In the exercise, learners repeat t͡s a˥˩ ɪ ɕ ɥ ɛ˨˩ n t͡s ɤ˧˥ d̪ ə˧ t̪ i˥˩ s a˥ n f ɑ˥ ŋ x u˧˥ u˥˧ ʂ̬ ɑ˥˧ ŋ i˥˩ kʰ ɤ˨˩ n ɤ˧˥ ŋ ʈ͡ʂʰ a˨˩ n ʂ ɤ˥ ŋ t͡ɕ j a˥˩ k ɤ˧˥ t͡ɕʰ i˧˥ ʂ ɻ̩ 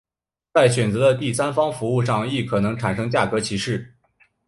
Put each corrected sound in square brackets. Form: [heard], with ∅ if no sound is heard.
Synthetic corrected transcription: t͡s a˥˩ ɪ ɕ ɥ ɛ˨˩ n t͡s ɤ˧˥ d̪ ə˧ t̪ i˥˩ s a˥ n f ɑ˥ ŋ [f] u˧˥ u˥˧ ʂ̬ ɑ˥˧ ŋ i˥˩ kʰ ɤ˨˩ n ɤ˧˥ ŋ ʈ͡ʂʰ a˨˩ n ʂ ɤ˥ ŋ t͡ɕ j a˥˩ k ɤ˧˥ t͡ɕʰ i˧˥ ʂ ɻ̩